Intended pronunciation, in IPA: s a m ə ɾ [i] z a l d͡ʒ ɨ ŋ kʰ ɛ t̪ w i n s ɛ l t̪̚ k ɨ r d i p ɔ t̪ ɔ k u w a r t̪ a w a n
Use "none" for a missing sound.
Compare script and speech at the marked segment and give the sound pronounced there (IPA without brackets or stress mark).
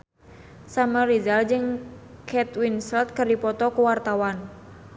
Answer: i